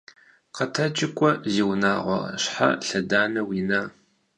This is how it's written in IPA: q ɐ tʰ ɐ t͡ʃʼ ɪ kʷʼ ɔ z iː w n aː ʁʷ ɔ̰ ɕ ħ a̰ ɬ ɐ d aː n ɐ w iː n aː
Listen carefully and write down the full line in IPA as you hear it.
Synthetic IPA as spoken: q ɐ tʰ ɐ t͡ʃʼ ɪ kʷʼ ɔ z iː w n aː ʁʷ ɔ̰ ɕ ħ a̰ ɬ ɐ d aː n ɐ w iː n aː